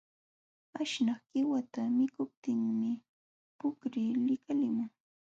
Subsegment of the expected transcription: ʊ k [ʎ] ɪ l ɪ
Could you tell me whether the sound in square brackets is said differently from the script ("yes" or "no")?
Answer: yes